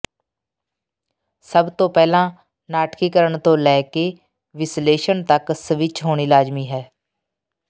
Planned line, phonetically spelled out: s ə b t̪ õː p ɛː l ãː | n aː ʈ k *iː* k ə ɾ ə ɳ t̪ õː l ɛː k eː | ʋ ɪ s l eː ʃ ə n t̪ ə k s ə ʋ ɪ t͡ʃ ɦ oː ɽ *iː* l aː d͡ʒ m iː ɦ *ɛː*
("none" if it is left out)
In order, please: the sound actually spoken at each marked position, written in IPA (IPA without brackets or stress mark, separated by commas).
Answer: iː, iː, ɛː